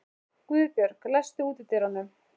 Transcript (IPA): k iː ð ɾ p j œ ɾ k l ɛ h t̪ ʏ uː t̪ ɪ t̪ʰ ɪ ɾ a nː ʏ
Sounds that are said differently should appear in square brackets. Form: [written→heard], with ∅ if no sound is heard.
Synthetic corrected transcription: k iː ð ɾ p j œ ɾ k l ɛ [h→s] t̪ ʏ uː t̪ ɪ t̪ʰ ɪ ɾ a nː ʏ

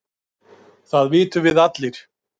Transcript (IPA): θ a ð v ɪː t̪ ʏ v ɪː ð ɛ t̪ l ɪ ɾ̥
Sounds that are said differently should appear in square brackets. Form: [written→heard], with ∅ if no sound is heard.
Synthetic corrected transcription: θ a ð v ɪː t̪ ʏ v [ɪː→ɪ] ð [ɛ→a] t̪ l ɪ ɾ̥

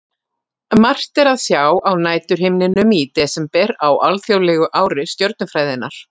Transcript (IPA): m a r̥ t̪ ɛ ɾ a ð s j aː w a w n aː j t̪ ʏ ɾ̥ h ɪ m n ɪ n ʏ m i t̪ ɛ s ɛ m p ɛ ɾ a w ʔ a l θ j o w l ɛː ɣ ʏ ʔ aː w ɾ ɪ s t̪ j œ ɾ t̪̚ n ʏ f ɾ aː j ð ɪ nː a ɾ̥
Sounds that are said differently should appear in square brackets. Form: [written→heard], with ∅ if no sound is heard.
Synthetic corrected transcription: m a r̥ t̪ ɛ ɾ a ð s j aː w a w n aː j t̪ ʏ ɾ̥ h ɪ m n ɪ n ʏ m i t̪ ɛ s ɛ m p ɛ ɾ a w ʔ a l θ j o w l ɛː ɣ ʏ ʔ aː w ɾ ɪ s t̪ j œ ɾ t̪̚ n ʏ f ɾ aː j ð ɪ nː a ɾ̥

